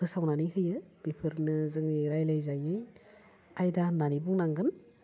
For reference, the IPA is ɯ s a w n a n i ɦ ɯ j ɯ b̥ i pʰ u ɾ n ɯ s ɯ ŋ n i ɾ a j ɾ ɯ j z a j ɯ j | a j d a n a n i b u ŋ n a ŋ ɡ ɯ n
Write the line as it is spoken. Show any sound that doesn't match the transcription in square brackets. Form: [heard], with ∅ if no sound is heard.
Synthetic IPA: ɯ s a w n a n i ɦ ɯ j ɯ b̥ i pʰ [ɯ] ɾ n ɯ [z] ɯ ŋ n i ɾ a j [l] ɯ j z a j ɯ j | a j d a n a n i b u ŋ n a ŋ ɡ ɯ n